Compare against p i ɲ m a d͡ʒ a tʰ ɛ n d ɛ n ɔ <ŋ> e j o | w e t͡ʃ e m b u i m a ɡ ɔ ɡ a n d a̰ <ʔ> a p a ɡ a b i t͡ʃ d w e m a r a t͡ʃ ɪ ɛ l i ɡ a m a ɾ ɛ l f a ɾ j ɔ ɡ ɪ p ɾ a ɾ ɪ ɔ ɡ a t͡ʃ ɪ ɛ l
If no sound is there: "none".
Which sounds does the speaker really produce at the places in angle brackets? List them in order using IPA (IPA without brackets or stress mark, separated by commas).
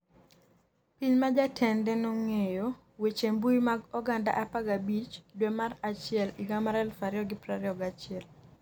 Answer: ŋ, ʔ